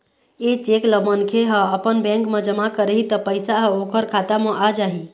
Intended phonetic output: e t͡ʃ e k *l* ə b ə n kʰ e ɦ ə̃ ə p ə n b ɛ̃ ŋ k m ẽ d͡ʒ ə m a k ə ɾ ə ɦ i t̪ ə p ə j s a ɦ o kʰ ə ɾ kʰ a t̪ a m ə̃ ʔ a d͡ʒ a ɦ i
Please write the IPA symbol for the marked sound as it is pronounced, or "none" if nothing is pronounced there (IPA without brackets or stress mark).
l